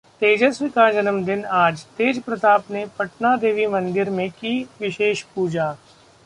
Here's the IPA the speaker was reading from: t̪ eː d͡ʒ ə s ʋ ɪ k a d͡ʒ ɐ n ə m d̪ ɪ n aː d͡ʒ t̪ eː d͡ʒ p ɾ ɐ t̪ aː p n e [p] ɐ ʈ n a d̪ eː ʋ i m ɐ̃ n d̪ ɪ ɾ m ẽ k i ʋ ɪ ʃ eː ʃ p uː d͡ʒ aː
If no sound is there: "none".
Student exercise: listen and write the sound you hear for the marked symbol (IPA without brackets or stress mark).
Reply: p